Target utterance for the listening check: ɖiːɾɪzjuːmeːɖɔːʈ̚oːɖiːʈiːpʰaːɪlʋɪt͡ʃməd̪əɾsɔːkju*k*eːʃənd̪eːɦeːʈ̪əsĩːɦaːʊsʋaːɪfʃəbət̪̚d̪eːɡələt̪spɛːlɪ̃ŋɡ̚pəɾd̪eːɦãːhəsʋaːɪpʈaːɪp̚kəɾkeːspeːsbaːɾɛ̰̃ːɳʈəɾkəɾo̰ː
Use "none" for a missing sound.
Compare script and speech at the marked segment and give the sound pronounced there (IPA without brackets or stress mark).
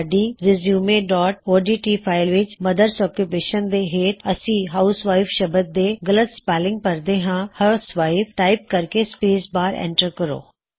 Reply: p